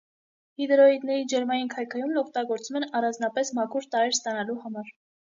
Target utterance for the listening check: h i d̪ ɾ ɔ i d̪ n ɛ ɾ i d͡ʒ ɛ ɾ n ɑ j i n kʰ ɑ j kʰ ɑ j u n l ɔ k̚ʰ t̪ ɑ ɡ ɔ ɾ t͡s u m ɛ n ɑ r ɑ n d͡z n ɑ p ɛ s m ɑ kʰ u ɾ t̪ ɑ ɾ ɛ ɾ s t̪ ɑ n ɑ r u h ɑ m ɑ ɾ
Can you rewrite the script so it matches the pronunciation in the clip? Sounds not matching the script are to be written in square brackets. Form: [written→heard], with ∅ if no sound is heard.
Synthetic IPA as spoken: h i d̪ ɾ ɔ i d̪ n ɛ ɾ i d͡ʒ ɛ ɾ [n→m] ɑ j i n kʰ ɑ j kʰ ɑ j u [n→m] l ɔ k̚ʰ t̪ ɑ ɡ ɔ ɾ t͡s u m ɛ n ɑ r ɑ n d͡z n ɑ p ɛ s m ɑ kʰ u ɾ t̪ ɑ ɾ ɛ ɾ s t̪ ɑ n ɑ [r→l] u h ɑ m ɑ ɾ